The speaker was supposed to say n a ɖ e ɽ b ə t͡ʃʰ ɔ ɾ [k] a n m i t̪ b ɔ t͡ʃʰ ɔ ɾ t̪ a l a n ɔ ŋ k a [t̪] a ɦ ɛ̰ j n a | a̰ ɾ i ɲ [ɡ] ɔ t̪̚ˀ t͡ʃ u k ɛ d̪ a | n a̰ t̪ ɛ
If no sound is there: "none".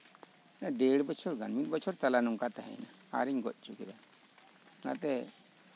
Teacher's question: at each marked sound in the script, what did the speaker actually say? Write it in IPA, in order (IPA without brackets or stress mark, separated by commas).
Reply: ɡ, t̪, ɡ